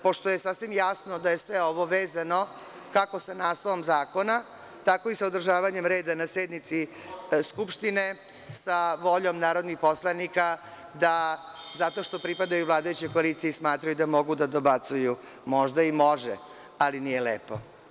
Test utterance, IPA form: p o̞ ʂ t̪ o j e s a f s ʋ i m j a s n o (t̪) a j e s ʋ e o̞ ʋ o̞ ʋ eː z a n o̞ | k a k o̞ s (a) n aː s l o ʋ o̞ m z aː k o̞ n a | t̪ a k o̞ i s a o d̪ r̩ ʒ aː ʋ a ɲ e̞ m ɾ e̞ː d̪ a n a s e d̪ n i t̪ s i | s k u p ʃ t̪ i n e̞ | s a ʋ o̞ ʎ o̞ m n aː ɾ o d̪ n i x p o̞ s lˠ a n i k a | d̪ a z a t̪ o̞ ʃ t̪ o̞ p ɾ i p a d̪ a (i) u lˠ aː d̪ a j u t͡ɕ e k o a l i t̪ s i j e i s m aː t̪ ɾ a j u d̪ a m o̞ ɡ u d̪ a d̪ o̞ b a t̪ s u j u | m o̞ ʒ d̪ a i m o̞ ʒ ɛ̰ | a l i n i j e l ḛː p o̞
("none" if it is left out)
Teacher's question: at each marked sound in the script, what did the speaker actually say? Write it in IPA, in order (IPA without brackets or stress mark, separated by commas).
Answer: d̪, a, j